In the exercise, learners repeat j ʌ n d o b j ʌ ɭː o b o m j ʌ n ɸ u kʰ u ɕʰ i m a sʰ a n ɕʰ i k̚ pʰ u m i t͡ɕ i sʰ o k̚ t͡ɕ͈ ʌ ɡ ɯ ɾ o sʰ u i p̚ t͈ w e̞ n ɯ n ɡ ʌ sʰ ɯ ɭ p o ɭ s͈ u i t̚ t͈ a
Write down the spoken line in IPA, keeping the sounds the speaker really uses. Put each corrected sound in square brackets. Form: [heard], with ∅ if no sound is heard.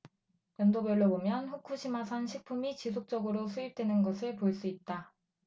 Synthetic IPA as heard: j ʌ n d o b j ʌ ɭː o b o m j ʌ n ɸ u kʰ u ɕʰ i m a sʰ a n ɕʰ i k̚ pʰ u m i t͡ɕ i sʰ o k̚ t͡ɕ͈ ʌ ɡ ɯ ɾ o sʰ u i p̚ t͈ w e̞ n ɯ n ɡ ʌ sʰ ɯ ɭ p o ɭ s͈ u i t̚ t͈ a